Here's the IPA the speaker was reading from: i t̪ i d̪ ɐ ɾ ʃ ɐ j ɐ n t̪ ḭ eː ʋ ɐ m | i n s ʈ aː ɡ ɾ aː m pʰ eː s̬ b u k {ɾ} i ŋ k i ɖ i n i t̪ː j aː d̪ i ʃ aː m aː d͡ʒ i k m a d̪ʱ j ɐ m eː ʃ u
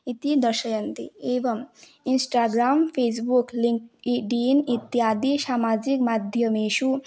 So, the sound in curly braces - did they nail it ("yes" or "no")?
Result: no